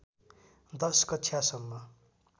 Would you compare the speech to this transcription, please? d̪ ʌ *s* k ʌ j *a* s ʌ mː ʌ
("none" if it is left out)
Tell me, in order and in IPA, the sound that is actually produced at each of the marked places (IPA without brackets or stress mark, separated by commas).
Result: s, a